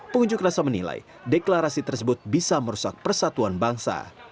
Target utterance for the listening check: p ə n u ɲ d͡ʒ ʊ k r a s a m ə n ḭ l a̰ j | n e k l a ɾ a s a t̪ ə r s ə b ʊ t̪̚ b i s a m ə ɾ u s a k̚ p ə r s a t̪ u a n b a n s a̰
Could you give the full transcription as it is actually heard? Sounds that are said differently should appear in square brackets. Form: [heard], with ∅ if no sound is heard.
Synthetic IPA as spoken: p ə [ŋ] u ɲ d͡ʒ ʊ k r a s a m ə n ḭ l a̰ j | [d] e k l a ɾ a s [i] t̪ ə r s ə b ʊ t̪̚ b i s a m ə ɾ u s a k̚ p ə r s a t̪ u a n b a [ŋ] s a̰